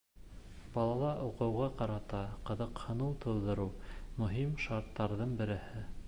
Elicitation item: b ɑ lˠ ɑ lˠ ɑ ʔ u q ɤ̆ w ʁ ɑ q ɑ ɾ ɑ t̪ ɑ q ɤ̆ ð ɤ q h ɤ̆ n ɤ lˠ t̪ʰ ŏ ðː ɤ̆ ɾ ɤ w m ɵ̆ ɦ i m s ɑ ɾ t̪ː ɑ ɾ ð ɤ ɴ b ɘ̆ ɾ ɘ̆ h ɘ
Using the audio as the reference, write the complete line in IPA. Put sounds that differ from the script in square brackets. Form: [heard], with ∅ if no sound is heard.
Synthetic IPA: b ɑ lˠ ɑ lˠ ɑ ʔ u q ɤ̆ w ʁ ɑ q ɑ ɾ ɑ t̪ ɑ q ɤ̆ ð ɤ q h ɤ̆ n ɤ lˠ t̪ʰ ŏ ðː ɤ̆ ɾ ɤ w m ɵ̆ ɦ i m [ʃ] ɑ ɾ t̪ː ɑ ɾ ð ɤ ɴ b ɘ̆ ɾ ɘ̆ h ɘ